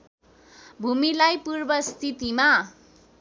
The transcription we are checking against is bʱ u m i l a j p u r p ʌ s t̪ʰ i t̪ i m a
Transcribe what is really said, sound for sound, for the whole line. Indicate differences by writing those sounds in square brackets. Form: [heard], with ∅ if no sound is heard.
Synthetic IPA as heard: bʱ u m i l a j p u r [b] ʌ s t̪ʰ i t̪ i m a

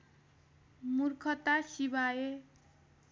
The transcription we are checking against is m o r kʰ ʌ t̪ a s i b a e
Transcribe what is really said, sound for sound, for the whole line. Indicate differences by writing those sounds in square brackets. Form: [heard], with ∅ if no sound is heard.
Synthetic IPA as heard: m [u] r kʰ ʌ t̪ a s i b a e

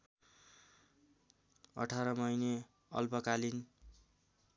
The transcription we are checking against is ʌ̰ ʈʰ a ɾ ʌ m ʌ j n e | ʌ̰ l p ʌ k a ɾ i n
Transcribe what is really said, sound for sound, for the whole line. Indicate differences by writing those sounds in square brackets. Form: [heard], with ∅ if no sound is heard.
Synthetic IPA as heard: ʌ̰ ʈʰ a ɾ ʌ m ʌ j n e | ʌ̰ l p ʌ k a [l] i n

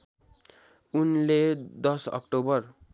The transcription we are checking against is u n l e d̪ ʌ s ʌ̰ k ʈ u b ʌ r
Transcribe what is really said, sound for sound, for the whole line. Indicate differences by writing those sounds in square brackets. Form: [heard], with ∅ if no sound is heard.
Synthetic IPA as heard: u n l e d̪ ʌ s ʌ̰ k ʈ [o] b ʌ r

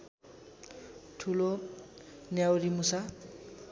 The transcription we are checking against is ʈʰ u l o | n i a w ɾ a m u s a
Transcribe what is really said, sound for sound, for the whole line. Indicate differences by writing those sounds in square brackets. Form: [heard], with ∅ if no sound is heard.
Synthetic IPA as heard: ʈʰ u l o | n [j] a w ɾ [i] m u s a

